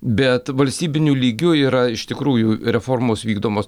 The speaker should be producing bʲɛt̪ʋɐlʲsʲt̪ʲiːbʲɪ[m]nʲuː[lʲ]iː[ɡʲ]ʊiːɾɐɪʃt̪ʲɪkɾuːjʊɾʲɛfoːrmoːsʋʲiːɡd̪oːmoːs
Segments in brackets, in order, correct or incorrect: incorrect, correct, correct

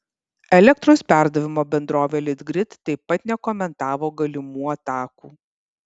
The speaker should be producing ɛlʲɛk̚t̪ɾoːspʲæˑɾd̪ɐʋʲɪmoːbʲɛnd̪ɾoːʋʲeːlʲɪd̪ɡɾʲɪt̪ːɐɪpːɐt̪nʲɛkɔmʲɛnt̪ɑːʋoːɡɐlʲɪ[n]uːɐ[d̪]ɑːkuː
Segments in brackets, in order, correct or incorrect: incorrect, incorrect

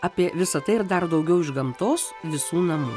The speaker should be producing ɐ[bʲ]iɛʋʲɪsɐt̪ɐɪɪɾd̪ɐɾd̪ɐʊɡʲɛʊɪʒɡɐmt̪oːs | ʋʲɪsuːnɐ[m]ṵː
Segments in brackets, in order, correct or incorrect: incorrect, correct

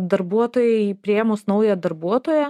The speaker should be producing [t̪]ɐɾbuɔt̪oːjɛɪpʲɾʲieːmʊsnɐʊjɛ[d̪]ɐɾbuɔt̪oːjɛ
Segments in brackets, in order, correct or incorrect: incorrect, correct

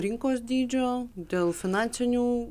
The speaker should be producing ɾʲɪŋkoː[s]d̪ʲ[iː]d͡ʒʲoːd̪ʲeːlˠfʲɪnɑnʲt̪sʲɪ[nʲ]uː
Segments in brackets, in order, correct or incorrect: correct, correct, correct

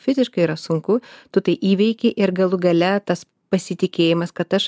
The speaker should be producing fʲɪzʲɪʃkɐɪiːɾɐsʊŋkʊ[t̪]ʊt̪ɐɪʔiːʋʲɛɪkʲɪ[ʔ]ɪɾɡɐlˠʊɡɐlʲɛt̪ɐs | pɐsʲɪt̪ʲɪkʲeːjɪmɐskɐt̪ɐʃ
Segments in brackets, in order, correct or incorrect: correct, correct

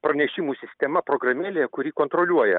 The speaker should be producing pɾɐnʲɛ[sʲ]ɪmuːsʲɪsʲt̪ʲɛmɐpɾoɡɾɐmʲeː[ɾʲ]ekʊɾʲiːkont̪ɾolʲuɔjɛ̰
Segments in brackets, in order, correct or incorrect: incorrect, incorrect

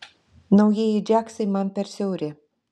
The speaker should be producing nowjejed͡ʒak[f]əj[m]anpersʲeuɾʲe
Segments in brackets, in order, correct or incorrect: incorrect, correct

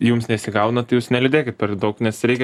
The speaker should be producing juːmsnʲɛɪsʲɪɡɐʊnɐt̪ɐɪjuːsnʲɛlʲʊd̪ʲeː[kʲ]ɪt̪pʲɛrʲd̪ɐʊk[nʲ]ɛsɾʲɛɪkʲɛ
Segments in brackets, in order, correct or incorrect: correct, correct

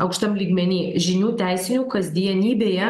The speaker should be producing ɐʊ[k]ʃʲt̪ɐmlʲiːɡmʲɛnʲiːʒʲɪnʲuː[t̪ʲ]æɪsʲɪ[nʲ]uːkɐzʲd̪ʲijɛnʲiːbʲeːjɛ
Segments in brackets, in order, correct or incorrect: correct, correct, correct

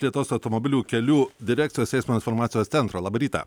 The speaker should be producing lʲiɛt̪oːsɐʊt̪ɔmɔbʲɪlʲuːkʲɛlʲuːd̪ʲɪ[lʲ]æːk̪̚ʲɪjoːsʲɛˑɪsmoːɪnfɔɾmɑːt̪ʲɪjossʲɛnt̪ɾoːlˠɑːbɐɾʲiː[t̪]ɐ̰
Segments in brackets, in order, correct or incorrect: incorrect, correct

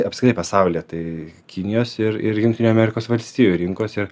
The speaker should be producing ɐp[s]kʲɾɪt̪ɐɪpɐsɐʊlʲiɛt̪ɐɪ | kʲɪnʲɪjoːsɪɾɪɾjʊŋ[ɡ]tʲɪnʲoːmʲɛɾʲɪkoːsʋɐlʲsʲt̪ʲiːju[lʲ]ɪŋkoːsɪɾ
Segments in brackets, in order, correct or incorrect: correct, incorrect, incorrect

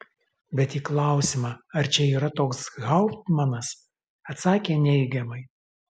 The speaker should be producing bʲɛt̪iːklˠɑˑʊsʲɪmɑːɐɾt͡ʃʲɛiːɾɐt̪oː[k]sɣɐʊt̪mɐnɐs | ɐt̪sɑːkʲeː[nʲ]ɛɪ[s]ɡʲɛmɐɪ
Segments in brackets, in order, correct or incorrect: correct, correct, incorrect

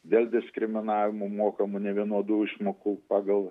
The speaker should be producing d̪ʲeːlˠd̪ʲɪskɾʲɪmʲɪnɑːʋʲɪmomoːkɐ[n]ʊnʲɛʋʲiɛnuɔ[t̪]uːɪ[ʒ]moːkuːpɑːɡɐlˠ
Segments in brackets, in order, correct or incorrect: incorrect, incorrect, incorrect

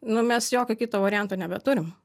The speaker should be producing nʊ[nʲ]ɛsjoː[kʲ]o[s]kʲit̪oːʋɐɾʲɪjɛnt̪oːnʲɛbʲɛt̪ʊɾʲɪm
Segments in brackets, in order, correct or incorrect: incorrect, correct, incorrect

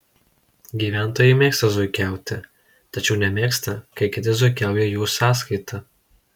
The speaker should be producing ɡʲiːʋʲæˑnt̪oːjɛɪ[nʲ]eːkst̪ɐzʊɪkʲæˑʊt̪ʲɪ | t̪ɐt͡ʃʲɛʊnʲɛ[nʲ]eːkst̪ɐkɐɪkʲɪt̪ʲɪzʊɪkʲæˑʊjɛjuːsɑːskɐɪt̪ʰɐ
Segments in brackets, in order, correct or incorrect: incorrect, incorrect

